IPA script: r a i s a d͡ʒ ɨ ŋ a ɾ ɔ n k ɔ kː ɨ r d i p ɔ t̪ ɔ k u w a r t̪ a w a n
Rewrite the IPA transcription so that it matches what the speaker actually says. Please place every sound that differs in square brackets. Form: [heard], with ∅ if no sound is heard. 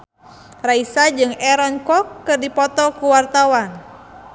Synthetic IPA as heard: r a i s a d͡ʒ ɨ ŋ [ɛ] ɾ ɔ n k ɔ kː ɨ r d i p ɔ t̪ ɔ k u w a r t̪ a w a n